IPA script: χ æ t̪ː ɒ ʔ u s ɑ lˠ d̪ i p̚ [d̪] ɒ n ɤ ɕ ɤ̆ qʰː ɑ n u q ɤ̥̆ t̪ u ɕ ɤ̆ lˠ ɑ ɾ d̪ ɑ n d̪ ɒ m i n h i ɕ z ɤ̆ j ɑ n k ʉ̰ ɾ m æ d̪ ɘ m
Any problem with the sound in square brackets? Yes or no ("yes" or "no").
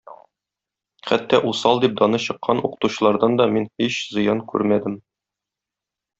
no